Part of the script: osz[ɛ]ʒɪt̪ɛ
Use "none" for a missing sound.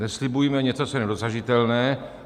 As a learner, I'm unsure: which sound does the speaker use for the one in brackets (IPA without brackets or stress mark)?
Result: a